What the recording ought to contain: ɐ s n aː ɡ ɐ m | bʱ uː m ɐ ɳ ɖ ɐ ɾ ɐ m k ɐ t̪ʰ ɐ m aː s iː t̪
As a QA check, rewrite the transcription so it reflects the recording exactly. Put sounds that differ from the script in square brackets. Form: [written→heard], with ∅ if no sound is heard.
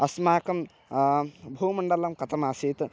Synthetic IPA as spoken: ɐ s [n→m] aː [ɡ→k] ɐ m | bʱ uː m ɐ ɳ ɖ ɐ [ɾ→l] ɐ m k ɐ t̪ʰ ɐ m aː s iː t̪